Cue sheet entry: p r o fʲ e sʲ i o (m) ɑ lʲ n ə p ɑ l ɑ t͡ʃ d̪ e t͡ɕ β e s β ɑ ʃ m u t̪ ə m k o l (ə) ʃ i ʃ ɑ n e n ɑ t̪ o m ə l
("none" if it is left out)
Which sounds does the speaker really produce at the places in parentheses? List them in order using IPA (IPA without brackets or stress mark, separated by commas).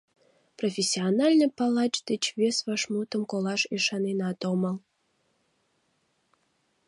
n, ɑ